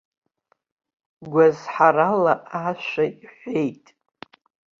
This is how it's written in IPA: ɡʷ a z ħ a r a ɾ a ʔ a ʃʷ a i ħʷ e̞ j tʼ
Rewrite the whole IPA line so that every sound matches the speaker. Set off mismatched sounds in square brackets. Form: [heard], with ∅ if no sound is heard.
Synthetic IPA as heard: ɡʷ a z ħ a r a [l] a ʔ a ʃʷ a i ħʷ e̞ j tʼ